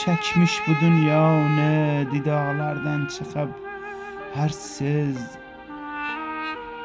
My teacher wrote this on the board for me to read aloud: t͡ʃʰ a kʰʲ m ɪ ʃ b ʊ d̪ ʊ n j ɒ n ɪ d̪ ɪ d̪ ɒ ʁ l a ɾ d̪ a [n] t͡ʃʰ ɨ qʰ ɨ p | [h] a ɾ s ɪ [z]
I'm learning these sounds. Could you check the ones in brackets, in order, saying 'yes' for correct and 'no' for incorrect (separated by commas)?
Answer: yes, yes, yes